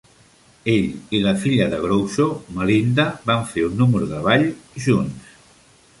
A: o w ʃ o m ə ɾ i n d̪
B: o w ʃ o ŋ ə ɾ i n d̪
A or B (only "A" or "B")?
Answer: A